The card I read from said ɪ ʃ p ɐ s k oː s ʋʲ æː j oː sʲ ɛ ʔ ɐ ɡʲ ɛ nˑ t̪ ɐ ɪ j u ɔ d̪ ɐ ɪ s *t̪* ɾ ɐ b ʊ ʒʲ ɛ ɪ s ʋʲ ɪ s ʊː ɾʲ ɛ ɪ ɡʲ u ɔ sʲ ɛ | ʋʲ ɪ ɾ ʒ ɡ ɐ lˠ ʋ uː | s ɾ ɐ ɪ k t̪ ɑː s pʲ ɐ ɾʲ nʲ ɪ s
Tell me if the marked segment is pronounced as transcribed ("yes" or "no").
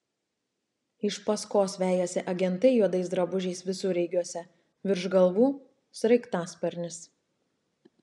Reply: no